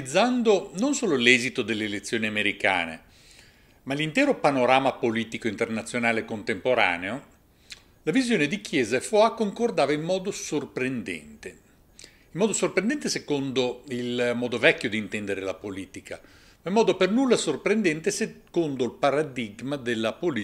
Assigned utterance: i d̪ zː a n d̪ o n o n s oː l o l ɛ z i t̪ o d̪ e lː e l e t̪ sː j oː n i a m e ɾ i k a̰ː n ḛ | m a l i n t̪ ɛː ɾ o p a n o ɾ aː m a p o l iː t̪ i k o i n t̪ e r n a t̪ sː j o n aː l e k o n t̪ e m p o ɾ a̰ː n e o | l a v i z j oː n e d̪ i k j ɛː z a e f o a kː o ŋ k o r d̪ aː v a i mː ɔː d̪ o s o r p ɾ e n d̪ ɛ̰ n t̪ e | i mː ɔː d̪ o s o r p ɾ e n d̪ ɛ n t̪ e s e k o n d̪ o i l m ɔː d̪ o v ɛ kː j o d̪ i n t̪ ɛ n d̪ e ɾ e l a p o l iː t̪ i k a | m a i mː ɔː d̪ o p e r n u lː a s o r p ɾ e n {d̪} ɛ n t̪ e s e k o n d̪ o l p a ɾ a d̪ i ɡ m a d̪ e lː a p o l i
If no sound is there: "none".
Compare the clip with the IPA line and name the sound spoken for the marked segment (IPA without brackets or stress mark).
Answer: d̪